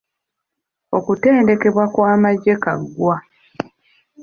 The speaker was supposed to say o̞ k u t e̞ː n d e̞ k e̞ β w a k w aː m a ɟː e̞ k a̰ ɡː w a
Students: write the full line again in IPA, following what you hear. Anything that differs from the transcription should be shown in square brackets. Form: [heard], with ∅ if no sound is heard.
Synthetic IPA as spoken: o̞ k u t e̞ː n d e̞ k e̞ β w a k w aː m a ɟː e̞ k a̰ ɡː w a